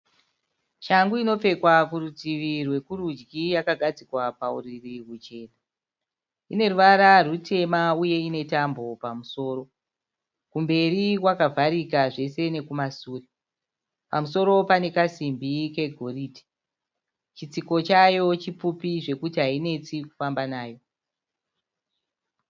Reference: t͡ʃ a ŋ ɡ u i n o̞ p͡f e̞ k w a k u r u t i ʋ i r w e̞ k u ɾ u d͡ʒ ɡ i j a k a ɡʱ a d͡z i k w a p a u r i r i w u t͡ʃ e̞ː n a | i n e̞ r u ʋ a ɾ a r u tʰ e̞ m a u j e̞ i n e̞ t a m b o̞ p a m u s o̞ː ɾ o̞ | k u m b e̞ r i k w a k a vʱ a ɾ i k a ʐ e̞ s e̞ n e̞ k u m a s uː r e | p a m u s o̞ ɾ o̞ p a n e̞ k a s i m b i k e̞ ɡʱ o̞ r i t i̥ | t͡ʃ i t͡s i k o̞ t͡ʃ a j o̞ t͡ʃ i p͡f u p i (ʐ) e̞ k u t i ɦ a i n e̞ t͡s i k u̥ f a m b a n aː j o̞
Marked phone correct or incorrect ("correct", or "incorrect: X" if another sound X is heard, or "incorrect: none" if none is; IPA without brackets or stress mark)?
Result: correct